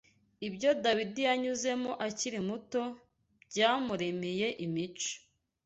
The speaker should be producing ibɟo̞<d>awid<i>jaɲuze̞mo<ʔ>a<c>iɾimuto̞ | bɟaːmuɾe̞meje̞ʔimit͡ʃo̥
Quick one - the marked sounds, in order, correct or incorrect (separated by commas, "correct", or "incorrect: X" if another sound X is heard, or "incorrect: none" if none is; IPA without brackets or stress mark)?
correct, correct, correct, correct